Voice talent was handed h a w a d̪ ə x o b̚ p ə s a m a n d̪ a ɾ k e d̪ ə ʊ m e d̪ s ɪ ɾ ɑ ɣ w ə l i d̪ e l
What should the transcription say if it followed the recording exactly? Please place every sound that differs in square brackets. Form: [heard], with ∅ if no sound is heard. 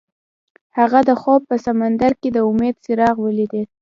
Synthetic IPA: h a [ɣ] a d̪ ə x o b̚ p ə s a m a n d̪ a ɾ k e d̪ ə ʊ m e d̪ s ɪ ɾ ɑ ɣ w ə l i d̪ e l